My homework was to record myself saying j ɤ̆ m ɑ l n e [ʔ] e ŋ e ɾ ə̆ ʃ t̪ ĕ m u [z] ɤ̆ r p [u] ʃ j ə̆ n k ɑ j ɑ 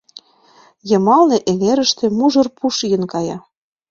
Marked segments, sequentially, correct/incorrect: correct, incorrect, correct

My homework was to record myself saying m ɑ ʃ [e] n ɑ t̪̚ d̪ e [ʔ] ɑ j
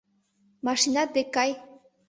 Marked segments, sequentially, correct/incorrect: incorrect, incorrect

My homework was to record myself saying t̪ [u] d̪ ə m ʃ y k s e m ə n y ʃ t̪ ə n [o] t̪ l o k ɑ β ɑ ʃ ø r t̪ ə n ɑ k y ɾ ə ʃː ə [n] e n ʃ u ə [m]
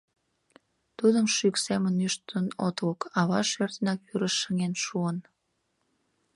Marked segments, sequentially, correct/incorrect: correct, correct, incorrect, incorrect

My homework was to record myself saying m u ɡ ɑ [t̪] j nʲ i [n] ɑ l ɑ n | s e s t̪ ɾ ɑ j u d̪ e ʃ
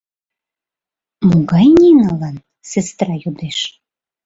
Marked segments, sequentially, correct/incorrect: incorrect, correct

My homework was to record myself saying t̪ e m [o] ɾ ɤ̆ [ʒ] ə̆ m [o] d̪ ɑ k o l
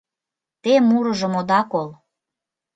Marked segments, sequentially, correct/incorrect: incorrect, correct, correct

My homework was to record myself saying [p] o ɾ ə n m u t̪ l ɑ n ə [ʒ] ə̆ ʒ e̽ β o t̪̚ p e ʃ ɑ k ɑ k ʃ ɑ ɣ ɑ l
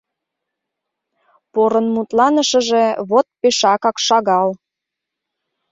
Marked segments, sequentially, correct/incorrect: correct, incorrect

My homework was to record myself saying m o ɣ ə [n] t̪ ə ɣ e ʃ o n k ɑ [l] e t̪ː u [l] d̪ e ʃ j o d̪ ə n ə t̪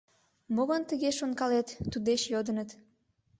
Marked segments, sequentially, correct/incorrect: correct, correct, incorrect

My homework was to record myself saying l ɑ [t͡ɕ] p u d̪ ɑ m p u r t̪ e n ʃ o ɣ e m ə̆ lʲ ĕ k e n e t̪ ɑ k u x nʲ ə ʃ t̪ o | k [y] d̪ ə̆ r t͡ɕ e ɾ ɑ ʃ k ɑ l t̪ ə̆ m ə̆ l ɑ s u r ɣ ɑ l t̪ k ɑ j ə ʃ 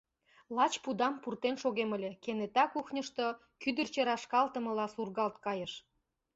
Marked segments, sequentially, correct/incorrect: correct, correct

